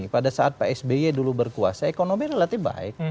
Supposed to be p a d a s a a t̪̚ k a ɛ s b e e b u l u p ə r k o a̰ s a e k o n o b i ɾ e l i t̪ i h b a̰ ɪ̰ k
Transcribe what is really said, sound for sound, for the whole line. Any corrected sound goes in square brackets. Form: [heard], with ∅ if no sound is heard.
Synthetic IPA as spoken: p a d a s a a t̪̚ [p] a ɛ s b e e [d] u l u [b] ə r k [u] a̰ s a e k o n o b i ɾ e l [a] t̪ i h b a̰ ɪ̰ k